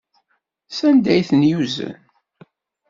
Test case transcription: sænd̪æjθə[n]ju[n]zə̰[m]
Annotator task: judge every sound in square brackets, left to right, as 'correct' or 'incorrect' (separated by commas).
correct, incorrect, incorrect